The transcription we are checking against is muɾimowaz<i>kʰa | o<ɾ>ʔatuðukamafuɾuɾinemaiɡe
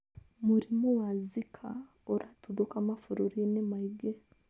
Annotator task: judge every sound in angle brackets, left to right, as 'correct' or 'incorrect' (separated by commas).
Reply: correct, correct